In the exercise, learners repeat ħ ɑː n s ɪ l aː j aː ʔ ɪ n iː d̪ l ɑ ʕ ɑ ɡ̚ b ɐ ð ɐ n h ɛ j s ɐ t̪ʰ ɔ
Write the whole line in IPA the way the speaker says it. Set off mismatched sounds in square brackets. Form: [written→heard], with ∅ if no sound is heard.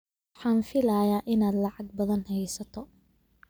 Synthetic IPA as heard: ħ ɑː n [s→f] ɪ l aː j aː ʔ ɪ n [iː→aː] d̪ l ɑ ʕ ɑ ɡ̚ b ɐ ð ɐ n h ɛ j s ɐ t̪ʰ ɔ